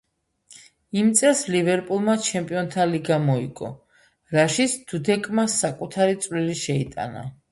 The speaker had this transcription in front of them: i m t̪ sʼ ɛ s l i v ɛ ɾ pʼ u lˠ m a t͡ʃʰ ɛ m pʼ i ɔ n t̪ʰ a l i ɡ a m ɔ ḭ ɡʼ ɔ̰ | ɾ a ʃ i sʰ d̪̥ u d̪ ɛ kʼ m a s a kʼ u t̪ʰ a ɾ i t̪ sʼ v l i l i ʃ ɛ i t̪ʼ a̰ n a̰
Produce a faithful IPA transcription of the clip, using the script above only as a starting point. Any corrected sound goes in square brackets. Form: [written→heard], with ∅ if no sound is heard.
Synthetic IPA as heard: i m t̪ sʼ ɛ s l i v ɛ ɾ pʼ u lˠ m a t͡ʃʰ ɛ m pʼ i ɔ n t̪ʰ a l i ɡ a m ɔ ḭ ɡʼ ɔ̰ | ɾ a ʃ i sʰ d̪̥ u d̪ ɛ kʼ m a s a kʼ u t̪ʰ a ɾ i t̪ sʼ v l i l i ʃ ɛ i t̪ʼ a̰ n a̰